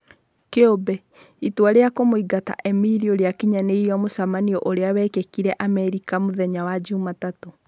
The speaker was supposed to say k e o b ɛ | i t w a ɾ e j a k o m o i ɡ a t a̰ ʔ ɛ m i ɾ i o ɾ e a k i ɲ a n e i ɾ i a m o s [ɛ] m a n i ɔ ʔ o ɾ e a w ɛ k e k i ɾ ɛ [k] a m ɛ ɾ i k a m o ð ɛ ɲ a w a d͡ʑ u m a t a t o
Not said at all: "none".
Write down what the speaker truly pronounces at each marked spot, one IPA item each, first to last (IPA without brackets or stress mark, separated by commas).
a, ʔ